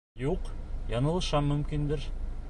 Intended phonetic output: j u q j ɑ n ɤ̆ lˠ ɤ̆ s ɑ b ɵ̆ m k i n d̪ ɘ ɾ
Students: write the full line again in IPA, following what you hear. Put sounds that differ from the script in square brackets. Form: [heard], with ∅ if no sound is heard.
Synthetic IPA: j u q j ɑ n ɤ̆ lˠ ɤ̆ [ʃ] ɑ [m] ɵ̆ m k i n d̪ ɘ ɾ